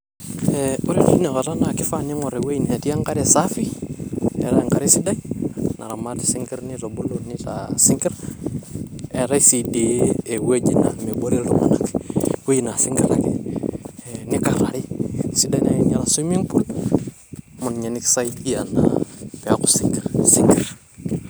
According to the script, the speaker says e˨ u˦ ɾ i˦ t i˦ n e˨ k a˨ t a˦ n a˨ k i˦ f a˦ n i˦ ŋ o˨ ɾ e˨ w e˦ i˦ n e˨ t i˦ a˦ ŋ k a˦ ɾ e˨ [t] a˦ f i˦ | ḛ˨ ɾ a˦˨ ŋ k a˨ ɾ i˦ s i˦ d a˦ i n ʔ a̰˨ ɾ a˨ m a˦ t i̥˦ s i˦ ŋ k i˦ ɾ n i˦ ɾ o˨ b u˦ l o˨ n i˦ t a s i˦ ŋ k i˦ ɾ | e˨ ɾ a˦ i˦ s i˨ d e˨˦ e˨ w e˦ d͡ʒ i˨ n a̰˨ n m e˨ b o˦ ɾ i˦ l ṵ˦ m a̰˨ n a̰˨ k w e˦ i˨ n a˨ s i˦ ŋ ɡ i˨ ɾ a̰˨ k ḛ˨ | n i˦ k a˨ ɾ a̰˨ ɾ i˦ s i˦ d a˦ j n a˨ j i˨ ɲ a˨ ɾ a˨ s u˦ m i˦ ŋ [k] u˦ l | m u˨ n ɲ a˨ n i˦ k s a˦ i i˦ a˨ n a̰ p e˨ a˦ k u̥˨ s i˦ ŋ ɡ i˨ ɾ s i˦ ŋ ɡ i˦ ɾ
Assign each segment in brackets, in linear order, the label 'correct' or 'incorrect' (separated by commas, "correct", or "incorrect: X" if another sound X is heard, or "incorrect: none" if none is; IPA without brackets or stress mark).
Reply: incorrect: s, incorrect: p